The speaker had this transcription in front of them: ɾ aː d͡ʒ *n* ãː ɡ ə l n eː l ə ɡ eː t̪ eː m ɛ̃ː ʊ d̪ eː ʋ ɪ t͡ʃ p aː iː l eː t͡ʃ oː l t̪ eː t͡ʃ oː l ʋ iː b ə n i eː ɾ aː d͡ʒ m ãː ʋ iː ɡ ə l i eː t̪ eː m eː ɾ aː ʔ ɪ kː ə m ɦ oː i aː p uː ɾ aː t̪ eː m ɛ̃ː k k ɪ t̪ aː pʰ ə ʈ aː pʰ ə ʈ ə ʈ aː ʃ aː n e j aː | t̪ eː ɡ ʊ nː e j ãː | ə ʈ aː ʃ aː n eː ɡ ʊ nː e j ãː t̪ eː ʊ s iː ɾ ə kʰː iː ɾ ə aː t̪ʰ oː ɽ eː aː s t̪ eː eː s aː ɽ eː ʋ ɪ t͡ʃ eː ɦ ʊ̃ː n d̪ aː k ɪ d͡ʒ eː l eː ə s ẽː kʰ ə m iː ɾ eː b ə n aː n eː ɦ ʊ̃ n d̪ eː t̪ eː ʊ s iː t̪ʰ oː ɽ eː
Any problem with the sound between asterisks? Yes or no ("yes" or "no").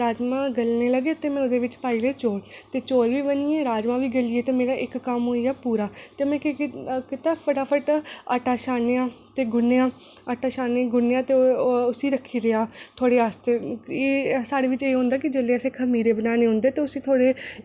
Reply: yes